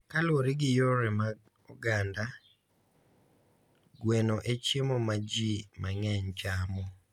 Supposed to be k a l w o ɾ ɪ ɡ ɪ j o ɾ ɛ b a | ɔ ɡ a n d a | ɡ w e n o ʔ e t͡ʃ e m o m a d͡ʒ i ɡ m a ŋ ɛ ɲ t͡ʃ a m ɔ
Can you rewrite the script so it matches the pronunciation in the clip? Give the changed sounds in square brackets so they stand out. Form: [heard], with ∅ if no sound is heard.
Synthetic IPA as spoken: k a l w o ɾ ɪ ɡ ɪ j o ɾ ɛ [m] a | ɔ ɡ a n d a | ɡ w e n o ʔ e t͡ʃ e m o m a d͡ʒ i [∅] m a ŋ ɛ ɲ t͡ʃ a m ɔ